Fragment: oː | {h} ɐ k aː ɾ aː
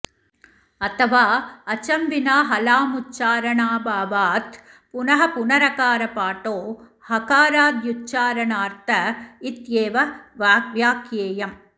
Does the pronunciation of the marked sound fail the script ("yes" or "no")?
no